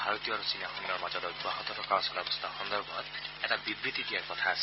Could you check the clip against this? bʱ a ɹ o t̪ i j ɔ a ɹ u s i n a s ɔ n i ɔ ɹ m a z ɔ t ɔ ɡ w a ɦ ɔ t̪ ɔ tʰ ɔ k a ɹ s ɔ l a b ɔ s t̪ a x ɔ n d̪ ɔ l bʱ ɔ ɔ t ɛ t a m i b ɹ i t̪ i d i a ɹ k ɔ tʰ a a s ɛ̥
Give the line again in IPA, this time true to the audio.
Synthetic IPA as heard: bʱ a ɹ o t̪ i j ɔ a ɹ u s i n a x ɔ n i ɔ ɹ m a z ɔ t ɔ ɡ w a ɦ ɔ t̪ ɔ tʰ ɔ k a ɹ s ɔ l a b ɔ s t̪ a x ɔ n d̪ ɔ ɹ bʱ ɔ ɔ t ɛ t a b i b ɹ i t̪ i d i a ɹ k ɔ tʰ a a s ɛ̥